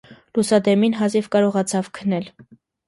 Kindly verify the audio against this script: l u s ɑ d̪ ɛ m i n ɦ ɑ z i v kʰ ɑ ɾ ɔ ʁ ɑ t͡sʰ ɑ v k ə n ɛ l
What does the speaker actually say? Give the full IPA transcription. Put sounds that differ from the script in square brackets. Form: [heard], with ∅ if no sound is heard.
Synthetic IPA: l u s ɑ d̪ ɛ m i n ɦ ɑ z i v [k] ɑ ɾ ɔ ʁ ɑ t͡sʰ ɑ v [kʰ] ə n ɛ l

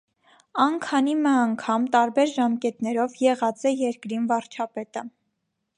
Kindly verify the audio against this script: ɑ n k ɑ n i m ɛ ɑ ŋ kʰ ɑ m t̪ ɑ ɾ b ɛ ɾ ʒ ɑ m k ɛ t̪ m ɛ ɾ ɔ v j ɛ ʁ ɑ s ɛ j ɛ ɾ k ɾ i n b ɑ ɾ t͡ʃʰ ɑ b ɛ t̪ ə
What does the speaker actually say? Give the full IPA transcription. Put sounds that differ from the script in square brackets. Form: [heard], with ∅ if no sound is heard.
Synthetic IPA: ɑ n [kʰ] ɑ n i m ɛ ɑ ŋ kʰ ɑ m t̪ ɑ ɾ b ɛ ɾ ʒ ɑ m k ɛ t̪ [n] ɛ ɾ ɔ v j ɛ ʁ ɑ [t͡s] ɛ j ɛ ɾ k ɾ i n [v] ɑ ɾ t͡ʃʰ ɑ [p] ɛ t̪ ə

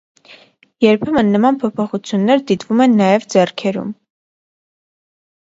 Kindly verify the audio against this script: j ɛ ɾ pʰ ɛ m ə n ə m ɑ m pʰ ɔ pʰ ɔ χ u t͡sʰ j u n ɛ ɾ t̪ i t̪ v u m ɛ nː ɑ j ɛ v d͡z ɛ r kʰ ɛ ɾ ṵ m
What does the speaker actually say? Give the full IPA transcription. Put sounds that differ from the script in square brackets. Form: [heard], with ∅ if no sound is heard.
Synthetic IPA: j ɛ ɾ pʰ ɛ m ə [nː] ə m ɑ [n] pʰ ɔ pʰ ɔ χ u t͡sʰ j u [nː] ɛ ɾ [d̪] i t̪ v u m ɛ nː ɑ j ɛ v d͡z ɛ r kʰ ɛ ɾ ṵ m

